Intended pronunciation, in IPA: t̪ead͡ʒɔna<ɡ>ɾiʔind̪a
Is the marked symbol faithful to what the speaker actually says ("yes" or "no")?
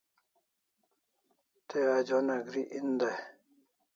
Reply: yes